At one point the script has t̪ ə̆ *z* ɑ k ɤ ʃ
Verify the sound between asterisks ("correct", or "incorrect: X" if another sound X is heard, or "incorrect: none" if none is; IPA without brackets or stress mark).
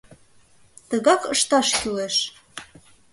incorrect: ɣ